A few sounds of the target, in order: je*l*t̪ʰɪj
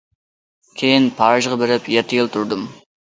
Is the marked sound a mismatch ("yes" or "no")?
yes